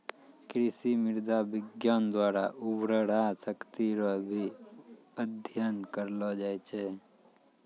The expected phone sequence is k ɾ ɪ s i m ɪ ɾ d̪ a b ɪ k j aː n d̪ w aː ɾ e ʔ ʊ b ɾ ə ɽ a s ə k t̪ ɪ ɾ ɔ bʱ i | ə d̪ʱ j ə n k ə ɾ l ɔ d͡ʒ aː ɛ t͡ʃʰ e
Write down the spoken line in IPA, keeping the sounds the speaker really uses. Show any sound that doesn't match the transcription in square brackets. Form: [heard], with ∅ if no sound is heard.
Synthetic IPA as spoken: k ɾ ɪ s i m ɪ ɾ d̪ a b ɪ [ɡ] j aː n d̪ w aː ɾ [a] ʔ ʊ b ɾ ə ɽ a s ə k t̪ [i] ɾ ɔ bʱ i | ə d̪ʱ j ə n k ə ɾ l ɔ d͡ʒ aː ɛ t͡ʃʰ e